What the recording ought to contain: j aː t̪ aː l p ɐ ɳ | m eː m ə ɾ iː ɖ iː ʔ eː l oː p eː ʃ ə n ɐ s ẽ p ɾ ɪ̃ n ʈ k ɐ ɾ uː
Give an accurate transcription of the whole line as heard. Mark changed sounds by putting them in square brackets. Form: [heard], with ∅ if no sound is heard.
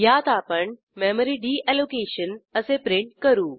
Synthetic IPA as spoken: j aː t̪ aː [∅] p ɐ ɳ | m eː m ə ɾ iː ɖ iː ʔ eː l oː [k] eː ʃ ə n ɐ s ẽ p ɾ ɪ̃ [ɳ] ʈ k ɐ ɾ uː